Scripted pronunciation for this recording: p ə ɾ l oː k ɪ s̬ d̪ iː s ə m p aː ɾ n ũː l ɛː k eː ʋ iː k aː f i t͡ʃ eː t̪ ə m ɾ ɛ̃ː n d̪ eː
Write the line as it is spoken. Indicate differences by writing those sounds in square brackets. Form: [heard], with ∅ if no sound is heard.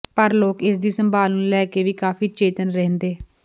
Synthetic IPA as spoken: p ə ɾ l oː k ɪ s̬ d̪ iː s ə m [b] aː [l] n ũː l ɛː k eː ʋ iː k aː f [iː] t͡ʃ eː t̪ ə [n] ɾ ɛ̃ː n d̪ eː